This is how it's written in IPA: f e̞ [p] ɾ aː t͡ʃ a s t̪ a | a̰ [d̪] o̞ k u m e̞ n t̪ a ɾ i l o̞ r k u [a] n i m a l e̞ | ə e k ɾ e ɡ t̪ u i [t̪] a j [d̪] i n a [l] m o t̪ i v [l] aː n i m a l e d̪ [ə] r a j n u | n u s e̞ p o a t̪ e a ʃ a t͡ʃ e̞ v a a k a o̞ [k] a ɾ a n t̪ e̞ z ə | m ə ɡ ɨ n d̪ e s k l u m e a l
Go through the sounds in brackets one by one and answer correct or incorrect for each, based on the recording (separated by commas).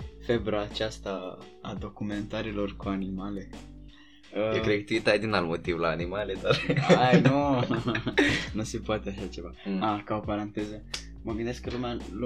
incorrect, correct, correct, correct, correct, correct, correct, incorrect, incorrect